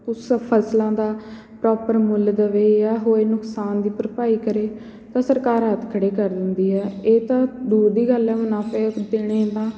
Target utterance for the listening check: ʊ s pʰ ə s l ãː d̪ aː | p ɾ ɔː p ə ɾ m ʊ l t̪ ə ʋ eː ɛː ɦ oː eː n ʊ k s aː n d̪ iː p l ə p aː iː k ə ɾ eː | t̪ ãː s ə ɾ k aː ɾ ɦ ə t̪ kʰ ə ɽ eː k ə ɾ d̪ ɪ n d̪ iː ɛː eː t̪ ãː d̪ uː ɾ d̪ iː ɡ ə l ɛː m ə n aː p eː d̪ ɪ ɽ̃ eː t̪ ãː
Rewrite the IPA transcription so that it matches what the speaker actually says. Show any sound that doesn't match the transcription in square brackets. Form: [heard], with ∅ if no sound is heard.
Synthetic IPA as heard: ʊ s pʰ ə s l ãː d̪ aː | p ɾ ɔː p ə ɾ m ʊ l [d̪] ə ʋ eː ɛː ɦ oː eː n ʊ k s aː n d̪ iː p [ɾ] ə p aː iː k ə ɾ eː | t̪ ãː s ə ɾ k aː ɾ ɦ ə t̪ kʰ ə ɽ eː k ə ɾ d̪ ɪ n d̪ iː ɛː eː t̪ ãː d̪ uː ɾ d̪ iː ɡ ə l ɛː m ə n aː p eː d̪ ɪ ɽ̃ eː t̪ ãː